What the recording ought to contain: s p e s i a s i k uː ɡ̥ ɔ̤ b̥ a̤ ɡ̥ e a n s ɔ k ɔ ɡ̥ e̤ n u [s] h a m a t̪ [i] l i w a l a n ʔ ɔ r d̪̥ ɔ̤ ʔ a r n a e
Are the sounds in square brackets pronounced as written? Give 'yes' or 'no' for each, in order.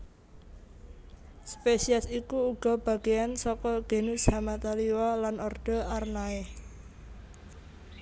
yes, no

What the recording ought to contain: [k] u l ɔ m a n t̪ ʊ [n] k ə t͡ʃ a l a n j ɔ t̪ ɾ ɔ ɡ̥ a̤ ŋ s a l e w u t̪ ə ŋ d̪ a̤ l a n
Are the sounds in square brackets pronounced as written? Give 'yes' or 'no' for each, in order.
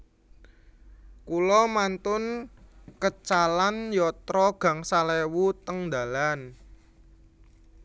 yes, yes

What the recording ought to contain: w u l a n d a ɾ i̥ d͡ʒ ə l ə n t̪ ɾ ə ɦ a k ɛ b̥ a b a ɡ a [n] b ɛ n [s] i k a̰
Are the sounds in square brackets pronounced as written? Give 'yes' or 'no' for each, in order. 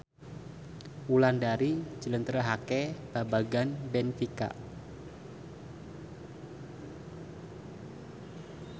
yes, no

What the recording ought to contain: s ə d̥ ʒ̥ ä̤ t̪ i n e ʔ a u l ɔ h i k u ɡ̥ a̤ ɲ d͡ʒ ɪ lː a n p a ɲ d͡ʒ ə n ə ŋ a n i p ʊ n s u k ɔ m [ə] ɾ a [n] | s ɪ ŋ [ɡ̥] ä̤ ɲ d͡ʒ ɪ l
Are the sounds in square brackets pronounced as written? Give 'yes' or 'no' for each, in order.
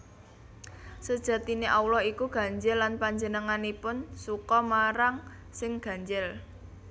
no, no, yes

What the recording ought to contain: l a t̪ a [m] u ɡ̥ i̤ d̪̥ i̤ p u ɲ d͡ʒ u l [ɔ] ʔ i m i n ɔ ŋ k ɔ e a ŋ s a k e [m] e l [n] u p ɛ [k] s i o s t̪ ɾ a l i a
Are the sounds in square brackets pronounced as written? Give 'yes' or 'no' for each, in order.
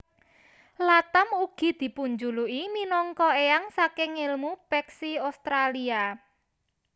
yes, no, no, no, yes

